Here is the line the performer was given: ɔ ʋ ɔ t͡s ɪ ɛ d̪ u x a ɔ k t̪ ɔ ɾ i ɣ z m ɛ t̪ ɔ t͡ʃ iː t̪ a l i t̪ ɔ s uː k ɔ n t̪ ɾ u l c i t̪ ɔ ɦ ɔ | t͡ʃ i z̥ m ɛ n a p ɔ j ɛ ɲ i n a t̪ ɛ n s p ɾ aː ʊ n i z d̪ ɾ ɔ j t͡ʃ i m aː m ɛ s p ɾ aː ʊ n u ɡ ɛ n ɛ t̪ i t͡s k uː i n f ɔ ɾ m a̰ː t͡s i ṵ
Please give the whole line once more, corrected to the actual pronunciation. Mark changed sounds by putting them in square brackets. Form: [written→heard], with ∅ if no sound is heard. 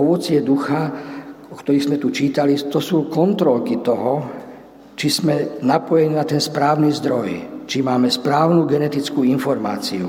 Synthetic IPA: ɔ ʋ ɔ t͡s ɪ ɛ d̪ u x a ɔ k t̪ ɔ ɾ i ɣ z m ɛ t̪ [ɔ→u] t͡ʃ iː t̪ a l i t̪ ɔ s uː k ɔ n t̪ ɾ [u→ɔ] l [c→k] i t̪ ɔ ɦ ɔ | t͡ʃ i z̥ m ɛ n a p ɔ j ɛ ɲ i n a t̪ ɛ n s p ɾ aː ʊ n i z d̪ ɾ ɔ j t͡ʃ i m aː m ɛ s p ɾ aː ʊ n u ɡ ɛ n ɛ t̪ i t͡s k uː i n f ɔ ɾ m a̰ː t͡s i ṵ